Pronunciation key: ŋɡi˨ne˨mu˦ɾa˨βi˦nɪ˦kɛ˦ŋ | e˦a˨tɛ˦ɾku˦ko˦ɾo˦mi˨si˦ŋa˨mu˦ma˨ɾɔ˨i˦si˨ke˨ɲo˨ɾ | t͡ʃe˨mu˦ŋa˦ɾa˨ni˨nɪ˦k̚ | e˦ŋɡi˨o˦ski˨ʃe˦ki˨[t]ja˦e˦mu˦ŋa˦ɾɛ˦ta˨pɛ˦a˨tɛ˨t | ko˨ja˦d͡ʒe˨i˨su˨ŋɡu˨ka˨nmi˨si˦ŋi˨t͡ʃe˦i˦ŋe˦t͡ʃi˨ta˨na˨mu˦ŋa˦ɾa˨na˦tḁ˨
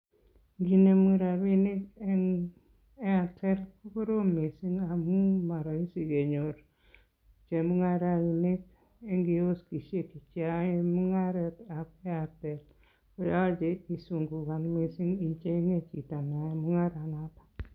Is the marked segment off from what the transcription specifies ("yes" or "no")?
yes